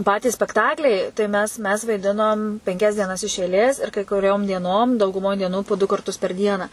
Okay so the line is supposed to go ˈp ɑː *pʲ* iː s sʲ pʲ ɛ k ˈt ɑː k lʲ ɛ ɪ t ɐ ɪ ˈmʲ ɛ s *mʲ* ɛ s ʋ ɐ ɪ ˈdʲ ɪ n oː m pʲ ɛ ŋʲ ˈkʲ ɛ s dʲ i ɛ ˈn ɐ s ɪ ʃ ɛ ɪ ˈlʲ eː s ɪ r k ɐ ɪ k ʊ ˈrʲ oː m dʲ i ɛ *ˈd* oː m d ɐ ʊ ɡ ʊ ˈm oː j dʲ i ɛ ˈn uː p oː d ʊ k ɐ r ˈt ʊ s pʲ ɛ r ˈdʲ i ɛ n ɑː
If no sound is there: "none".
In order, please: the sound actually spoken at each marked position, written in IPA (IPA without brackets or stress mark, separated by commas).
tʲ, mʲ, n